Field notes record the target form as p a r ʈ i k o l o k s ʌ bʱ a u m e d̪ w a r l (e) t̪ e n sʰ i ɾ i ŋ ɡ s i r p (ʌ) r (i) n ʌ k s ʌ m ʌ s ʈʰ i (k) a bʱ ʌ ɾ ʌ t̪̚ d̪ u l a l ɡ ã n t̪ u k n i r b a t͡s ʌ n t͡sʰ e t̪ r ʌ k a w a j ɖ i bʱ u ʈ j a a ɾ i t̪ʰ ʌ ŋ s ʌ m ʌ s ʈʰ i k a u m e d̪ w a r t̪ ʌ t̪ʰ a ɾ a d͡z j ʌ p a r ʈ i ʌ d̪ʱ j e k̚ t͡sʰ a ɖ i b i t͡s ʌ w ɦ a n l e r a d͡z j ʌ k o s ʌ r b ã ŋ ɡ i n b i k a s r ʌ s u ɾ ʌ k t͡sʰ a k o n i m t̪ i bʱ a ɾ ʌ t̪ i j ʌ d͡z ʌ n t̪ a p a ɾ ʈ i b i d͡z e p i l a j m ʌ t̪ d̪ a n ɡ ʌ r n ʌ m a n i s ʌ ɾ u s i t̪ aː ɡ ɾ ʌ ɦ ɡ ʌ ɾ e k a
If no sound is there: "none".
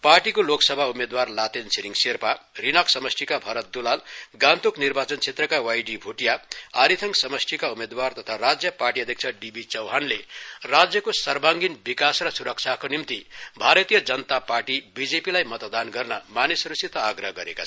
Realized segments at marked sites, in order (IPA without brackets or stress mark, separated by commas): a, a, i, k